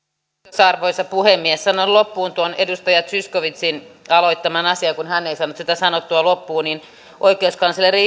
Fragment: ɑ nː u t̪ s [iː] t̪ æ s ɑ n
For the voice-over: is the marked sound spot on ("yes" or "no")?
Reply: no